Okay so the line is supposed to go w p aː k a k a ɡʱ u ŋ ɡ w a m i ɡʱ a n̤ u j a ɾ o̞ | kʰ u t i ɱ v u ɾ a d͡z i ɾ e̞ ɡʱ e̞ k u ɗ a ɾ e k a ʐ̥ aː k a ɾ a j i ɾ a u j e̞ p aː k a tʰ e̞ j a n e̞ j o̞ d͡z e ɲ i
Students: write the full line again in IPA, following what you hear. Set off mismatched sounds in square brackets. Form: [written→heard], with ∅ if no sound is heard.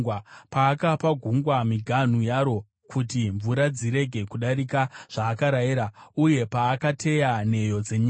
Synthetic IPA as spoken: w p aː k a [k→p] a ɡʱ u ŋ ɡ w a m i ɡʱ a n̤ u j a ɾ o̞ | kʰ u t i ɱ v u ɾ a d͡z i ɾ e̞ ɡʱ e̞ k u ɗ a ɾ [e→i] k a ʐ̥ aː k a ɾ a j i ɾ a u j e̞ p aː k a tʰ e̞ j a n e̞ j o̞ d͡z e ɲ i